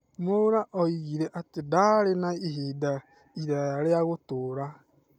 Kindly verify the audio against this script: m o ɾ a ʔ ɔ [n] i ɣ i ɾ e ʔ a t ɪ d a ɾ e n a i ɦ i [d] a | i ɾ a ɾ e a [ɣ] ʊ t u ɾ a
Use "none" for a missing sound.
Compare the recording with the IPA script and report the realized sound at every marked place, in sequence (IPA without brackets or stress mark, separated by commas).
none, d, ɣ